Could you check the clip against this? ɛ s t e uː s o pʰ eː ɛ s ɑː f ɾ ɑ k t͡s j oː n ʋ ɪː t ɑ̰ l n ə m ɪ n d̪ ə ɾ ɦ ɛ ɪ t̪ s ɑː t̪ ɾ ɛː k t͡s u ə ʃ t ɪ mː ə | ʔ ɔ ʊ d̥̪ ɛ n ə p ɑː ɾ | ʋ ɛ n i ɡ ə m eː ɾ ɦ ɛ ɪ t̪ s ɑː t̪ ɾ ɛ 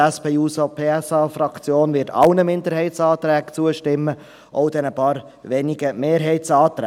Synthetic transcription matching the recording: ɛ s p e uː s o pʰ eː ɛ s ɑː f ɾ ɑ k t͡s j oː n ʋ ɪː t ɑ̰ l n ə m ɪ n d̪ ə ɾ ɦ ɛ ɪ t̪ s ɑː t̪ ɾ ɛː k t͡s u ə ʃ t ɪ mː ə | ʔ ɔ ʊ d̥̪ ɛ n ə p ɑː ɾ | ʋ ɛ n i ɡ ə m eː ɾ ɦ ɛ ɪ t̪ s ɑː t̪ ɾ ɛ